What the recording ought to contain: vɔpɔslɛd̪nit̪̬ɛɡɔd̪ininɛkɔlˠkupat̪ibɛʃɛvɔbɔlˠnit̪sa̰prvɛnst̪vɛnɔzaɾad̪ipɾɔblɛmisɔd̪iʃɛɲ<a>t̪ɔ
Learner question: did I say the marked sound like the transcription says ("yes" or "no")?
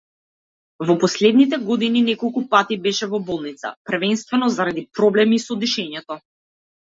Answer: no